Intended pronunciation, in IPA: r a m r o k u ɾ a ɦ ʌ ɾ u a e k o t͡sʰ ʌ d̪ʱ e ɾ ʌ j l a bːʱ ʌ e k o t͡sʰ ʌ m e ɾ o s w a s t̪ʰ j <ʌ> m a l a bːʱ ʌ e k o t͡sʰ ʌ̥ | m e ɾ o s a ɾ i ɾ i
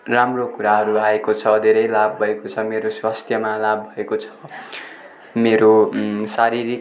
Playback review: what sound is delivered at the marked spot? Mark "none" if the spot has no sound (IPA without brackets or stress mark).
ʌ